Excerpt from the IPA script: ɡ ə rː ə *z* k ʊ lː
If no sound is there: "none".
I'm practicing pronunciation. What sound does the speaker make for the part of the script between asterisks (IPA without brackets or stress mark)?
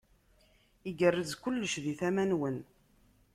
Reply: z